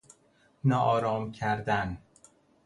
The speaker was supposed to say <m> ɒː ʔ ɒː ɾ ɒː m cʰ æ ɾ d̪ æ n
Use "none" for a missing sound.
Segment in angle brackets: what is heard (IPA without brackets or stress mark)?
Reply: n